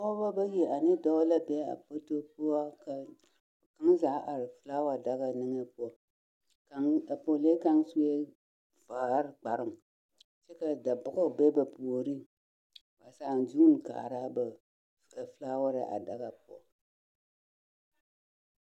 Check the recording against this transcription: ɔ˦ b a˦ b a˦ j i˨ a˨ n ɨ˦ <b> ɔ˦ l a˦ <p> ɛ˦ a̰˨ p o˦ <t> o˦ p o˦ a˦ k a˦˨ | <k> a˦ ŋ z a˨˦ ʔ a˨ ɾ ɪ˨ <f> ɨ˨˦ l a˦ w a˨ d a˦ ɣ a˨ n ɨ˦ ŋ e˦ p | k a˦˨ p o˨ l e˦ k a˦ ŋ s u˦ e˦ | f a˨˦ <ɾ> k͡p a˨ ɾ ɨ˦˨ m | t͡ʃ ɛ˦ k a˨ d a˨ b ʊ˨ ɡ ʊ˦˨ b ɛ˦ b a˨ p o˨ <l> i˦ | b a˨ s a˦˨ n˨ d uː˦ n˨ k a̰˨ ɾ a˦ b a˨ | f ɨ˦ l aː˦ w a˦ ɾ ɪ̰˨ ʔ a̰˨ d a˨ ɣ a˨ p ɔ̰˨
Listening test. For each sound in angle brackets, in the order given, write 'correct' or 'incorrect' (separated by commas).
incorrect, incorrect, correct, correct, correct, correct, incorrect